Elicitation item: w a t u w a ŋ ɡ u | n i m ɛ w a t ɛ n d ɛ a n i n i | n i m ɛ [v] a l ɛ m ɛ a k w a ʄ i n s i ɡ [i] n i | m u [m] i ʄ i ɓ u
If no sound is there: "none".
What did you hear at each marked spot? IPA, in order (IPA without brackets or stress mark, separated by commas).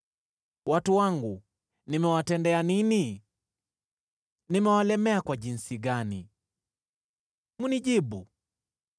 w, a, n